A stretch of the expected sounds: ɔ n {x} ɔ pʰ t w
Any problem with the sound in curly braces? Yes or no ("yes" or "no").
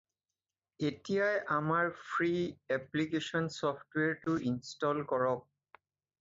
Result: yes